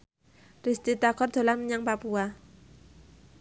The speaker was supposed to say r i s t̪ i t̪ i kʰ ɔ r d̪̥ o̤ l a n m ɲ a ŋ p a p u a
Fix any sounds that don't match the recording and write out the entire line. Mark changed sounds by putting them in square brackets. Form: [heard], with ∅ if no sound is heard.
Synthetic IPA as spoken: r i s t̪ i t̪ [a] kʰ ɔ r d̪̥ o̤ l a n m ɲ a ŋ p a p u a